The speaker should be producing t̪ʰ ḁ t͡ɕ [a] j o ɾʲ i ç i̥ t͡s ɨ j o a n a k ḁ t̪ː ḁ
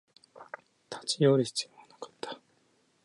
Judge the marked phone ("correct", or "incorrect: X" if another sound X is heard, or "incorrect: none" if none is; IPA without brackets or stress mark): incorrect: i